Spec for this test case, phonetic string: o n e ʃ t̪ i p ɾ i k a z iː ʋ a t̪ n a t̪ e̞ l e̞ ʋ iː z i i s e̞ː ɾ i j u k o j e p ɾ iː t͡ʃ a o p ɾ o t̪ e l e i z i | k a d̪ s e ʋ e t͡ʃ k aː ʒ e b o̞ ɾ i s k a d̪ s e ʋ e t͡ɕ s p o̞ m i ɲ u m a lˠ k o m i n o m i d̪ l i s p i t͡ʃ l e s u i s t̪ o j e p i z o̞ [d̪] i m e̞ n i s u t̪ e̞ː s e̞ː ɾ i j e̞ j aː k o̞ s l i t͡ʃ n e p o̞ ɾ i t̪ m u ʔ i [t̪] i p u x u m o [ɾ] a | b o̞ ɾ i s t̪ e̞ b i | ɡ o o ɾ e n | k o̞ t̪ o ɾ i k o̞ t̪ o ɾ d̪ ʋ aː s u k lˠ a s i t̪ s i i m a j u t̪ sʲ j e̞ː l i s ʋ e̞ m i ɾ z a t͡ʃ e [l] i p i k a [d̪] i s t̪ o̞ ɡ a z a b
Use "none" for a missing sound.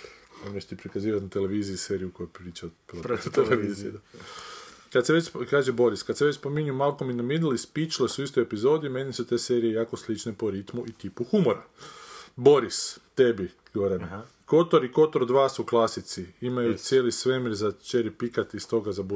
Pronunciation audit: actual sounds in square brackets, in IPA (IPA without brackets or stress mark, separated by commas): d̪, t̪, ɾ, ɾ, t̪